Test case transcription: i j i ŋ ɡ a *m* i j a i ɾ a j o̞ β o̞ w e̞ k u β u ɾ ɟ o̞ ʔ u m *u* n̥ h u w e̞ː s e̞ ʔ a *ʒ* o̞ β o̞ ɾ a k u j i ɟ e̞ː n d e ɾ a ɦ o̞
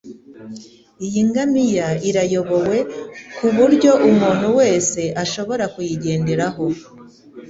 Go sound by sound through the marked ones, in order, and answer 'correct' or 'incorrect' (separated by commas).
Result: correct, incorrect, incorrect